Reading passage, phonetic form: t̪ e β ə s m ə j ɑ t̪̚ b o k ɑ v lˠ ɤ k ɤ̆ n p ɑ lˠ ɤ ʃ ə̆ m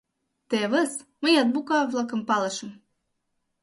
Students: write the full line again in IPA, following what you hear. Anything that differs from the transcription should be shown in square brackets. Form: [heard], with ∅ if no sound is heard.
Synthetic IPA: t̪ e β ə s m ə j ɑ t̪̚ b [u] k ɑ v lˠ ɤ k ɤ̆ [m] p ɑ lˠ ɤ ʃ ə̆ m